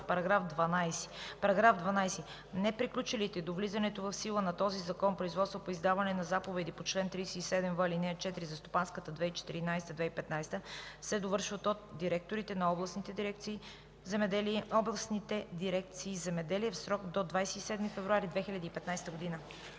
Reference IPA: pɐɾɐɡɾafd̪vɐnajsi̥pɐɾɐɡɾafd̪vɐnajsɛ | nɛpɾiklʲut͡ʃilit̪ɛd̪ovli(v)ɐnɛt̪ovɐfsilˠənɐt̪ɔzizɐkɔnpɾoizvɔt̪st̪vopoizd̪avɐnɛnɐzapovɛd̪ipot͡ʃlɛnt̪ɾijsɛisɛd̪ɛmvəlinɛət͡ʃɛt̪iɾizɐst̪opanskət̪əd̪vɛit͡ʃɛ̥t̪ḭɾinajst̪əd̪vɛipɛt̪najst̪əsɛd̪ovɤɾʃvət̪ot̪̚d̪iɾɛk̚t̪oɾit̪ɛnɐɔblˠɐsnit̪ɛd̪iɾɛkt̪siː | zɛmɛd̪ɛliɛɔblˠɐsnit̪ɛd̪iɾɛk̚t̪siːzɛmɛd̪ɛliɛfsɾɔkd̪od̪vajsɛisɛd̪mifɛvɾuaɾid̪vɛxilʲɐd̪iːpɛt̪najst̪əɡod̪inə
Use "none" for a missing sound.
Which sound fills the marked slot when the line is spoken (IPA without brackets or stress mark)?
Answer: z